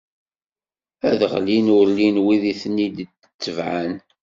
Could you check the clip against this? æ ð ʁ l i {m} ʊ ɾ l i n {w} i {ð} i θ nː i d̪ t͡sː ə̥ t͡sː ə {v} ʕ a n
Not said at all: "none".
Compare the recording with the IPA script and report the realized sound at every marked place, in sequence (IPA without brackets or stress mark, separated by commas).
n, w, ð, v